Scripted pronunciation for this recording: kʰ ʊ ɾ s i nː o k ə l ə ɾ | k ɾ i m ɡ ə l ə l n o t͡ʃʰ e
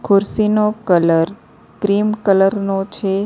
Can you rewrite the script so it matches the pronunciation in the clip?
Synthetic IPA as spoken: kʰ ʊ ɾ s i n o k ə l ə ɾ | k ɾ i m k ə l ə ɾ n o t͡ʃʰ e